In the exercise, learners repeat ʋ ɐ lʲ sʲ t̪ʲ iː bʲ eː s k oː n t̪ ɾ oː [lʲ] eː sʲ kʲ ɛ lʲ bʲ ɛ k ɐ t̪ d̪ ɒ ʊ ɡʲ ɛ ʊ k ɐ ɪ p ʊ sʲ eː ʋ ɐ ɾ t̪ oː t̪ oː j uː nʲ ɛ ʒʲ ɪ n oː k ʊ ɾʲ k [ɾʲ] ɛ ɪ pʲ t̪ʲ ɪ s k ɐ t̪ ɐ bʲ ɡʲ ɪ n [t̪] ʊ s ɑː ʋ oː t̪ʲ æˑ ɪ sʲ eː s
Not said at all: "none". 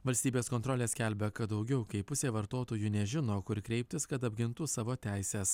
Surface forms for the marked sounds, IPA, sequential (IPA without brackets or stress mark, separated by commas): lʲ, ɾʲ, t̪